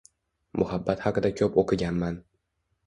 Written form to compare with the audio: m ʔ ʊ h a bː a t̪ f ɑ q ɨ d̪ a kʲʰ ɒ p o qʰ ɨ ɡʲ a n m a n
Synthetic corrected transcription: m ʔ ʊ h a bː a t̪ h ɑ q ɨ d̪ a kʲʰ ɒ p o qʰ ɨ ɡʲ a n m a n

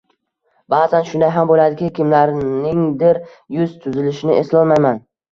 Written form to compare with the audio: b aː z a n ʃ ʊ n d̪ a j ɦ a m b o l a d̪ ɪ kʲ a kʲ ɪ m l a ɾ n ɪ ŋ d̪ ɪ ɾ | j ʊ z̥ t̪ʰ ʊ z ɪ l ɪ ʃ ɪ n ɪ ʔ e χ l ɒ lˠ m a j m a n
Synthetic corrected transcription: b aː z a n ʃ ʊ n d̪ a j ɦ a m b o l a d̪ ɪ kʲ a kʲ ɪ m l a ɾ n ɪ ŋ d̪ ɪ ɾ | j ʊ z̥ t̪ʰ ʊ z ɪ l ɪ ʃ ɪ n ɪ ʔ e s l ɒ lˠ m a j m a n

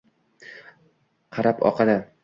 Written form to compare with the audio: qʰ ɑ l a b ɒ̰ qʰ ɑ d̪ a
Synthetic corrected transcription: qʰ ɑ ɾ a p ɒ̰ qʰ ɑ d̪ a

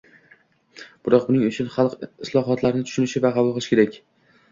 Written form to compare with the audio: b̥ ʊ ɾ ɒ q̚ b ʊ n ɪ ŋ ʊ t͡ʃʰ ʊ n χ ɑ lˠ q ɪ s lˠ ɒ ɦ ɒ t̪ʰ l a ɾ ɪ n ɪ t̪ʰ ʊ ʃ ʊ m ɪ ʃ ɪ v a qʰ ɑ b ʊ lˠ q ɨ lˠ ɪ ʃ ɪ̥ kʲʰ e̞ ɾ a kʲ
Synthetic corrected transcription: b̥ ʊ ɾ ɒ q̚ b ʊ n ɪ ŋ ʊ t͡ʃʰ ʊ n χ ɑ lˠ q ɪ s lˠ ɒ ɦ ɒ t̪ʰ l a ɾ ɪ n ɪ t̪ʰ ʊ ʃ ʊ n ɪ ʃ ɪ v a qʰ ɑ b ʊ lˠ q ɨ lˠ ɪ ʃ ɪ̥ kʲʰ e̞ ɾ a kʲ

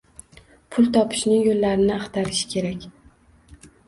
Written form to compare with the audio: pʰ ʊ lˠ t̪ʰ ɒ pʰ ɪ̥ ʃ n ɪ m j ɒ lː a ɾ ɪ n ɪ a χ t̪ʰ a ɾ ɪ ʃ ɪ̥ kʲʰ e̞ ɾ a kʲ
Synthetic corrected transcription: pʰ ʊ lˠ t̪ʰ ɒ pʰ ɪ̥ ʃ n ɪ ŋ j o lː a ɾ ɪ n ɪ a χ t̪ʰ a ɾ ɪ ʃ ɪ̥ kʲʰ e̞ ɾ a kʲ

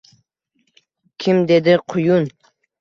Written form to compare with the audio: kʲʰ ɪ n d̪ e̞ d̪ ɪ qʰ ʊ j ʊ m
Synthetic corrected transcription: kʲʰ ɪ m d̪ e̞ d̪ ɪ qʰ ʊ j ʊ n

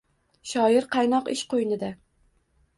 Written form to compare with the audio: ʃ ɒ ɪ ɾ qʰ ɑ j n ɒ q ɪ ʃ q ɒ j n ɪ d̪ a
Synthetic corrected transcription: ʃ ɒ ɪ ɾ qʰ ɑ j n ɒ q ɪ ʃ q o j n ɪ d̪ a

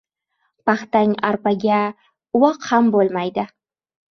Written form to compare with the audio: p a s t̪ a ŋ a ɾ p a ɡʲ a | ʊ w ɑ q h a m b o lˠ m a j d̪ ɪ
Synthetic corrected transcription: p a χ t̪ a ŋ a ɾ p a ɡʲ a | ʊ w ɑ q h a m b o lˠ m a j d̪ ɪ

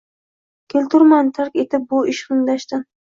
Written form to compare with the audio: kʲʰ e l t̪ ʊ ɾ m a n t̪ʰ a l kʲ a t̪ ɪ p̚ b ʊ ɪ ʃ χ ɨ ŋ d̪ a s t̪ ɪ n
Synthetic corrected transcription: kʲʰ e l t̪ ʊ ɾ m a n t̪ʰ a ɾ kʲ e t̪ ɪ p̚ b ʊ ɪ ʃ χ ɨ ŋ d̪ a ʃ t̪ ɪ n

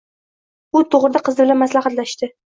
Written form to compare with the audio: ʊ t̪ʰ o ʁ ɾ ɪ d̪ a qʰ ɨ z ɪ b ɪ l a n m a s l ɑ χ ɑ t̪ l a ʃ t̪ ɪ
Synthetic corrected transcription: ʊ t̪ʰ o ʁ ɾ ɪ d̪ a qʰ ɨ z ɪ b ɪ l a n m a s l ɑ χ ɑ t̪ l a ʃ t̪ ɪ

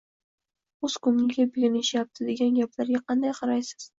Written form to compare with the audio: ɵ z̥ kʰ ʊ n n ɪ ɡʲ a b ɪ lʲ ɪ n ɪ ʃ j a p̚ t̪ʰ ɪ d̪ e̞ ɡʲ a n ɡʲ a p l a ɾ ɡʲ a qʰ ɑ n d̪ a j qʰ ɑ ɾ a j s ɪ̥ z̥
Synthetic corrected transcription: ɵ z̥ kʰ ʊ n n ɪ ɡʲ a b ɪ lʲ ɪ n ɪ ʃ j a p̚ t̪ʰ ɪ d̪ e̞ ɡʲ a n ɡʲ a p l a ɾ ɡʲ a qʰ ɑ n d̪ a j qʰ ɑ ɾ a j s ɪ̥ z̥

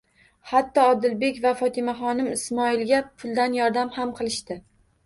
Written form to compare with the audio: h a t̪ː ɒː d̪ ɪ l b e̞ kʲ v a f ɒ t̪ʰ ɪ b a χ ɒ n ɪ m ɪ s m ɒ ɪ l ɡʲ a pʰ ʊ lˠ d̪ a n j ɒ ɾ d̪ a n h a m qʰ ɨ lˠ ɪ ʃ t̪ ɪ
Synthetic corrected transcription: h a t̪ː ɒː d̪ ɪ l b e̞ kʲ v a f ɒ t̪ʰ ɪ m a χ ɒ n ɪ m ɪ s m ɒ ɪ l ɡʲ a pʰ ʊ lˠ d̪ a n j ɒ ɾ d̪ a m h a m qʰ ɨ lˠ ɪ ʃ t̪ ɪ

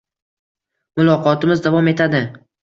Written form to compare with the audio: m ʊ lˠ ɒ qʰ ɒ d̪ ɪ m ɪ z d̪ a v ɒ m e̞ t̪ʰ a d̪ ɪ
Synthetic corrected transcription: m ʊ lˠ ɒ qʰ ɒ t̪ ɪ m ɪ z d̪ a v ɒ m e̞ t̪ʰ a d̪ ɪ

